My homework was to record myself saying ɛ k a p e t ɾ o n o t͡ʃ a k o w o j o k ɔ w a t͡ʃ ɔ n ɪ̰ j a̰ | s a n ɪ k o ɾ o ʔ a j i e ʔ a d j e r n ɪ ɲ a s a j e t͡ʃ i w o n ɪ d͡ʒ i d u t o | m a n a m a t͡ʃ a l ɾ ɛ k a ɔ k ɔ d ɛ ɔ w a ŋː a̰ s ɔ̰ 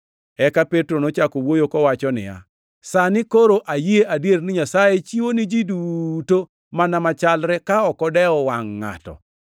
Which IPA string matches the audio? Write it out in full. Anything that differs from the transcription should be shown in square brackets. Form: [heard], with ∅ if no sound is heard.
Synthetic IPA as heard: ɛ k a p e t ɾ o n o t͡ʃ a k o w o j o k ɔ w a t͡ʃ ɔ n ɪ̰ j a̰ | s a n ɪ k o ɾ o ʔ a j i e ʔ a d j e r n ɪ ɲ a s a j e t͡ʃ i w o n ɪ d͡ʒ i d u t o | m a n a m a t͡ʃ a l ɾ ɛ k a ɔ k ɔ d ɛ ɔ w a ŋː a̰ [t] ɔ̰